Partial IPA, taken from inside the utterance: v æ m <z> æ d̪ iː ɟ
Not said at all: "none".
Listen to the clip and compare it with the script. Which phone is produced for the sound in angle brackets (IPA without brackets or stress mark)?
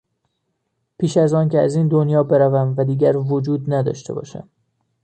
v